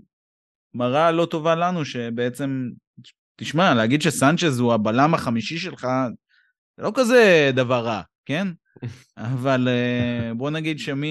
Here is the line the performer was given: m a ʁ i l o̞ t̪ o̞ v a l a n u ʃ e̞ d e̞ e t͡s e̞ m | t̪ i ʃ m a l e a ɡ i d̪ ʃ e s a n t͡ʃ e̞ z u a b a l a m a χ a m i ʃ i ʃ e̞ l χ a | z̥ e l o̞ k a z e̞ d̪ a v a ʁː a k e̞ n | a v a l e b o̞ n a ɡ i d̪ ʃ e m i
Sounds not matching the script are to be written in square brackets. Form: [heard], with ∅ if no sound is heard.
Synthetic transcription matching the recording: m a ʁ [a] l o̞ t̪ o̞ v a l a n u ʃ e̞ [b] e̞ e t͡s e̞ m | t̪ i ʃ m a l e a ɡ i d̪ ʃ e s a n t͡ʃ e̞ z u a b a l a m a χ a m i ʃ i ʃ e̞ l χ a | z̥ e l o̞ k a z e̞ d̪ a v a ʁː a k e̞ n | a v a l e b o̞ n a ɡ i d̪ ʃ e m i